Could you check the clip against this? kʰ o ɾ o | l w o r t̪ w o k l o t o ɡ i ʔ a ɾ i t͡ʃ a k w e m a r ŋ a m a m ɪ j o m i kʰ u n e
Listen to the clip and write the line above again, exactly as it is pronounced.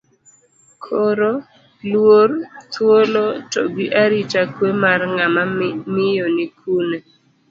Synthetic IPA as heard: kʰ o ɾ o | l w o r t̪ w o l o t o ɡ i ʔ a ɾ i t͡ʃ a k w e m a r ŋ a m a m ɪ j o n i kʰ u n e